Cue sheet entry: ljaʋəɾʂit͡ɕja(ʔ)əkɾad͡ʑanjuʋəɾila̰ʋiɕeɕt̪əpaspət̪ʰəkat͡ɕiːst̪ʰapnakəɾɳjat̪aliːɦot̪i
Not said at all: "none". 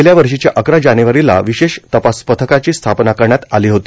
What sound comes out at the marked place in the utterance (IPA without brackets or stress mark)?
ʔ